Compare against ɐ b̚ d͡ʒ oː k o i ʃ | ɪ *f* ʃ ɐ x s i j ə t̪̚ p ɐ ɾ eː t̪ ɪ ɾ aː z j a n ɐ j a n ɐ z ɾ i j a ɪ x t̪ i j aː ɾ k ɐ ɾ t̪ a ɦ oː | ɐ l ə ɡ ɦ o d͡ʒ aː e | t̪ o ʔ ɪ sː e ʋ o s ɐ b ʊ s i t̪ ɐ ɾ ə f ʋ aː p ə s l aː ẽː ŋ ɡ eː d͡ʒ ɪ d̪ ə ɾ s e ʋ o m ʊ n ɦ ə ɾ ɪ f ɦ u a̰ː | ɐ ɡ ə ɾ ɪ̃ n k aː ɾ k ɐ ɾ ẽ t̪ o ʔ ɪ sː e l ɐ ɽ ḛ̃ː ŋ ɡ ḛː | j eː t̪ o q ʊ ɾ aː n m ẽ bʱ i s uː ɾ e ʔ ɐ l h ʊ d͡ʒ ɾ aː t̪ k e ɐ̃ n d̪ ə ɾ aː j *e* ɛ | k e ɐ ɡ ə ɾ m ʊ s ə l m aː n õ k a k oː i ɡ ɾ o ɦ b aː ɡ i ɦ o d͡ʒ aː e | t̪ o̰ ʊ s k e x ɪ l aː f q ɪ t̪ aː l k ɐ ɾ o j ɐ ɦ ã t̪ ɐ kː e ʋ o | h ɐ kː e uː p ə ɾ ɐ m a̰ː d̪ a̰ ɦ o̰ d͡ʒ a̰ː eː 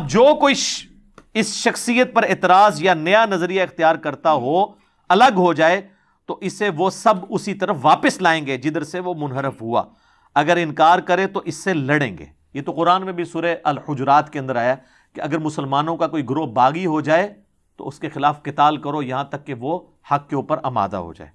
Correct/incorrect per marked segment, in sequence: incorrect: s, incorrect: a

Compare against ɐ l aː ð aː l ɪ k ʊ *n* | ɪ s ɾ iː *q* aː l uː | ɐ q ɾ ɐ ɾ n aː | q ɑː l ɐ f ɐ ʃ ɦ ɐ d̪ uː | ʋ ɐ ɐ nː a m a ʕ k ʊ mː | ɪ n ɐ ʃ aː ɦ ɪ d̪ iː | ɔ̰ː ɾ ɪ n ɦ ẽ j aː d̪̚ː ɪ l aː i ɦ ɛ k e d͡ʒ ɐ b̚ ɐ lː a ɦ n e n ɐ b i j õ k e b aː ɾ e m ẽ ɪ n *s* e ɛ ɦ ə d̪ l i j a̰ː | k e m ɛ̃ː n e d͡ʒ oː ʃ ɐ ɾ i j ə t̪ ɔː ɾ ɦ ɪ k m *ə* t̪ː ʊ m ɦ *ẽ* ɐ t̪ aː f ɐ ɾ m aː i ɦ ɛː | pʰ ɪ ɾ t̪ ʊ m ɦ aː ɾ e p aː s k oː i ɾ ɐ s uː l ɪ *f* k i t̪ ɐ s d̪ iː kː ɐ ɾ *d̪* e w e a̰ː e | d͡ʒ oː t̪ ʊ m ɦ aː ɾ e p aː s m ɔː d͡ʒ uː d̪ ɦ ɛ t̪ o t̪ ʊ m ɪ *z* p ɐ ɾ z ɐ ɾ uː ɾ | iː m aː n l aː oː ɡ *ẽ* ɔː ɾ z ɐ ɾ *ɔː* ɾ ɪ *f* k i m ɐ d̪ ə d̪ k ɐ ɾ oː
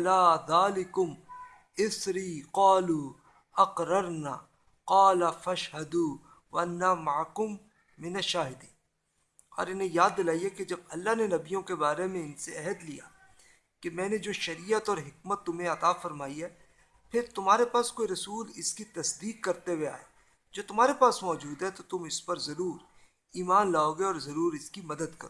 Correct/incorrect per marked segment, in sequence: incorrect: m, correct, correct, correct, correct, incorrect: s, incorrect: t̪, incorrect: s, incorrect: e, incorrect: uː, incorrect: s

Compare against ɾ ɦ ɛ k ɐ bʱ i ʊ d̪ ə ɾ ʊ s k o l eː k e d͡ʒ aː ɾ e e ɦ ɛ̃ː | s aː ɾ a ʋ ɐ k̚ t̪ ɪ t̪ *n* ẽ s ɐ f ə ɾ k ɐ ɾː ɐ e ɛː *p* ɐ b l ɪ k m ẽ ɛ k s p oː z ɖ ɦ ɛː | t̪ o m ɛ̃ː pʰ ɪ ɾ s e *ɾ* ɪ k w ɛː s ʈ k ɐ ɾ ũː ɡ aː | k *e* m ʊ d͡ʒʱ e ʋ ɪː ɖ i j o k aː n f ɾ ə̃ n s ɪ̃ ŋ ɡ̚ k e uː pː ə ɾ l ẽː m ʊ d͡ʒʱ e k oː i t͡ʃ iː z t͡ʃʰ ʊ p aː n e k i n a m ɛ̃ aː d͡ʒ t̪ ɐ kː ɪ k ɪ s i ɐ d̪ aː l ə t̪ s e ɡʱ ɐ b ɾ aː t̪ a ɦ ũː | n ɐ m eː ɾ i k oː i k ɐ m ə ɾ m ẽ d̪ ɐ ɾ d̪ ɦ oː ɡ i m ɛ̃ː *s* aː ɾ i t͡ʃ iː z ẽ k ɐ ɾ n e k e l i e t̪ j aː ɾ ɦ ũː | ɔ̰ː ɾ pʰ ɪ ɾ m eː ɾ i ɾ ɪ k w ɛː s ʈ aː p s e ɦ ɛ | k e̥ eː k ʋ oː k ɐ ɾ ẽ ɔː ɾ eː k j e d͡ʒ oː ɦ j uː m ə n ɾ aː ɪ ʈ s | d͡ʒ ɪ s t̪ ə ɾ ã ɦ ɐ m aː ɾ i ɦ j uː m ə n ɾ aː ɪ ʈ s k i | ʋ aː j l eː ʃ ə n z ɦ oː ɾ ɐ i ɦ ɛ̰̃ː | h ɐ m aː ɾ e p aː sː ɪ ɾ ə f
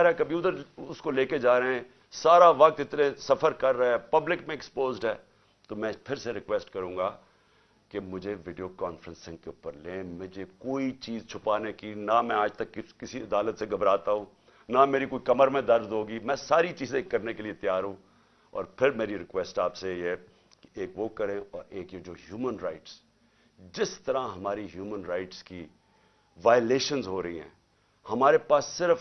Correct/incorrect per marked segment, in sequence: correct, correct, correct, correct, correct

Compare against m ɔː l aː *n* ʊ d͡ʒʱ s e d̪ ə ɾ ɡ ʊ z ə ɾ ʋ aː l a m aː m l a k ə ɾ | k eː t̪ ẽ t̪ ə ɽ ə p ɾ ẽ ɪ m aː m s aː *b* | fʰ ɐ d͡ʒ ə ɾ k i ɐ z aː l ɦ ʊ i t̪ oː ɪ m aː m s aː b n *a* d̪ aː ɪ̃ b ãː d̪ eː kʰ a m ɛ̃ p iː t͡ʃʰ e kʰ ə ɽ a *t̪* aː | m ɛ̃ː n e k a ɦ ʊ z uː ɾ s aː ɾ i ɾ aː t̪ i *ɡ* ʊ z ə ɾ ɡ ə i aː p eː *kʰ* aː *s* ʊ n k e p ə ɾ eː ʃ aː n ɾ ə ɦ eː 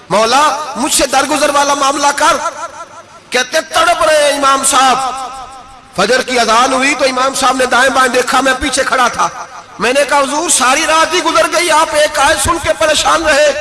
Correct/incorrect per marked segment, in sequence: incorrect: m, correct, incorrect: e, incorrect: t̪ʰ, correct, incorrect: k, correct

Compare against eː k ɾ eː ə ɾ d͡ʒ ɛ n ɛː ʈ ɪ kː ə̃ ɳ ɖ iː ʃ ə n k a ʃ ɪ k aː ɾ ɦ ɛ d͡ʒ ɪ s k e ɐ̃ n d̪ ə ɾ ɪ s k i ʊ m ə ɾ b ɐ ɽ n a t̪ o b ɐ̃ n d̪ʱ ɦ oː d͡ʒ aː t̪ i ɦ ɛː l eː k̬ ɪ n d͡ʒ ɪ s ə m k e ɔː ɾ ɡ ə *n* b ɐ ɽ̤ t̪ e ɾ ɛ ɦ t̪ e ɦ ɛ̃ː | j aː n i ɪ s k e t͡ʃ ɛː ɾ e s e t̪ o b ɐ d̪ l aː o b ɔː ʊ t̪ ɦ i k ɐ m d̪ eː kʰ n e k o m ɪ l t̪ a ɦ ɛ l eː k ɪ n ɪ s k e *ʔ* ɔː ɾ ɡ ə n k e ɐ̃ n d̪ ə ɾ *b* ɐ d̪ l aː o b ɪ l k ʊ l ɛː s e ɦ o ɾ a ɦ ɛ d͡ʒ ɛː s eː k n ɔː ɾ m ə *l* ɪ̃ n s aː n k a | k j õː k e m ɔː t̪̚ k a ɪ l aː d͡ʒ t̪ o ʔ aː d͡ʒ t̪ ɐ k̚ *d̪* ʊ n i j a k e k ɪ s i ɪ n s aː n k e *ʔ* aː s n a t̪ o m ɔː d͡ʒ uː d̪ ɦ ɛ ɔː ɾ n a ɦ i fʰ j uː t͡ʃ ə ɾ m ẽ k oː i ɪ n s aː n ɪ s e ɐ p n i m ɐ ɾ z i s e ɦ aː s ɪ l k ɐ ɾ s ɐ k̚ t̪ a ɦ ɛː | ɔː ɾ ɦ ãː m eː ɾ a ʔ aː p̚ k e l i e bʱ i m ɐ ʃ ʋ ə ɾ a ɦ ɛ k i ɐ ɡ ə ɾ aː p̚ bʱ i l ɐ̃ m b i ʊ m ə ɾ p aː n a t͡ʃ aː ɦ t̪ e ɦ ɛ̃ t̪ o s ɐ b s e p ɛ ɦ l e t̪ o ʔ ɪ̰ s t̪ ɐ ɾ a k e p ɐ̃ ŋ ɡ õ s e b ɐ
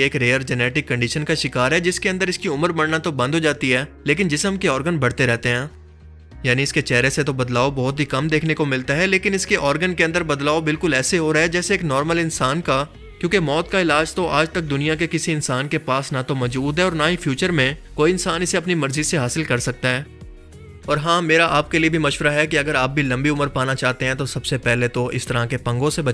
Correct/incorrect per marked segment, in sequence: correct, correct, correct, correct, correct, incorrect: p

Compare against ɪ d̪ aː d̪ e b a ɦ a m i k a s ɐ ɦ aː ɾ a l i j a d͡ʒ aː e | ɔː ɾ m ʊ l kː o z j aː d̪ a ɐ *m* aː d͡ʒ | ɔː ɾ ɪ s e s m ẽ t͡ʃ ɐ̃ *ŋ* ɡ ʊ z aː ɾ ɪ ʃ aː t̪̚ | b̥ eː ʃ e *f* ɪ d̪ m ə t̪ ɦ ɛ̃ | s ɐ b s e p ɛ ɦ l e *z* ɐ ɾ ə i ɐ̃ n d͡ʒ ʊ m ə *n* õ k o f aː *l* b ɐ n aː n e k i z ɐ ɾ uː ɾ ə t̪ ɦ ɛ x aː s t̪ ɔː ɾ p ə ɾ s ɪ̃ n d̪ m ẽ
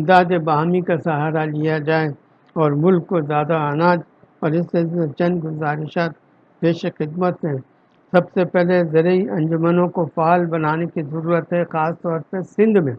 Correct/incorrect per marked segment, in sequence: incorrect: n, incorrect: n, incorrect: x, correct, correct, correct

